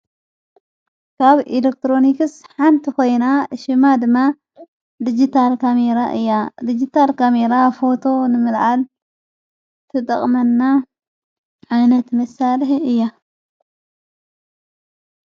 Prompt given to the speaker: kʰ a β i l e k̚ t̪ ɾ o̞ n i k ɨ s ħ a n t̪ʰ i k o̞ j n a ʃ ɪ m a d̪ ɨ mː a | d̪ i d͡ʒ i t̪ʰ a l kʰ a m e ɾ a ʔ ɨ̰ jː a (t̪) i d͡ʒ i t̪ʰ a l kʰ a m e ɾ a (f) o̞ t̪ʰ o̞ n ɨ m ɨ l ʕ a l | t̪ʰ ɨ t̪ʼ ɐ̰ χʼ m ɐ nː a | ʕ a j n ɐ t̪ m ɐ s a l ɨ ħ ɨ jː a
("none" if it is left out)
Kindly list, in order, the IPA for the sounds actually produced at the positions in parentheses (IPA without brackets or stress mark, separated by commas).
d̪, f